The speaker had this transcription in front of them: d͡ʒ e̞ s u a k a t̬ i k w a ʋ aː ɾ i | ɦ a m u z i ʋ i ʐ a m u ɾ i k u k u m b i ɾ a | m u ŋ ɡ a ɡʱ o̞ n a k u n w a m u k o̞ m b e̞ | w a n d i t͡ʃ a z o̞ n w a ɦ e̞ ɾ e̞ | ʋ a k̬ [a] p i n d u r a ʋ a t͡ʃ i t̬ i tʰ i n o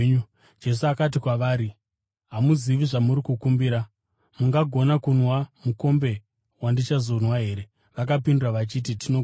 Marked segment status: correct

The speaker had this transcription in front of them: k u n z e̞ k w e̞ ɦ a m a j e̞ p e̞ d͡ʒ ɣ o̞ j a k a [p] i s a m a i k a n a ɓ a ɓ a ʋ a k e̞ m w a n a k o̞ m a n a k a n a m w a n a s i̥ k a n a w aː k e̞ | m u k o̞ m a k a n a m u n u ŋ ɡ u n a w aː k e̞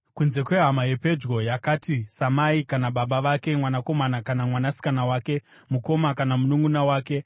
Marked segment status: incorrect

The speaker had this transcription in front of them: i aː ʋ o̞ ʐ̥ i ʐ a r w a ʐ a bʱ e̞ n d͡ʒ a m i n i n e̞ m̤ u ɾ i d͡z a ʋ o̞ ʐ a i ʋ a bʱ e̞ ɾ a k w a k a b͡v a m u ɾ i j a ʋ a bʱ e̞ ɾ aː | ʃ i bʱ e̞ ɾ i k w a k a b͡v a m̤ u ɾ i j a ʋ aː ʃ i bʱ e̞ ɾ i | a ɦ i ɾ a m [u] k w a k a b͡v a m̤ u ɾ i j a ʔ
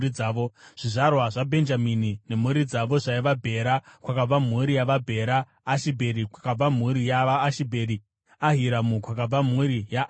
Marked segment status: correct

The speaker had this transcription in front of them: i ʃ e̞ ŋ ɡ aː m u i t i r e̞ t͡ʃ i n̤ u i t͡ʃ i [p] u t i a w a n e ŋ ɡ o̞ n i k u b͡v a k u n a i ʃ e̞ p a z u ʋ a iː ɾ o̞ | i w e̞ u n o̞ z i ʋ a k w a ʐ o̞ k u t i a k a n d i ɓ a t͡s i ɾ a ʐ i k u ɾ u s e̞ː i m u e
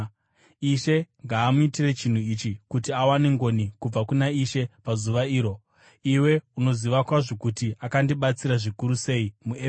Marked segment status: incorrect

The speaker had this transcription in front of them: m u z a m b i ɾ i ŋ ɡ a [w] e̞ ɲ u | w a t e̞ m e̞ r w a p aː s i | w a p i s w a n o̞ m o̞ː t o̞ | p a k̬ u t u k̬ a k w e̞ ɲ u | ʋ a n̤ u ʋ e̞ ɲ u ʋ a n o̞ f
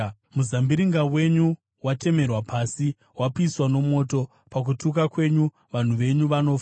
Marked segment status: correct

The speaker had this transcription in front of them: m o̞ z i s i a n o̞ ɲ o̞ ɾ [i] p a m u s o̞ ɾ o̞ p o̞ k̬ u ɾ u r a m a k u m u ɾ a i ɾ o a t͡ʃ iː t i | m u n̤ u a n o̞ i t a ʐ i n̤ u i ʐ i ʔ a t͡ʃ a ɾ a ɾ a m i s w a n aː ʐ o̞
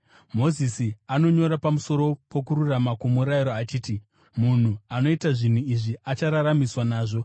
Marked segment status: incorrect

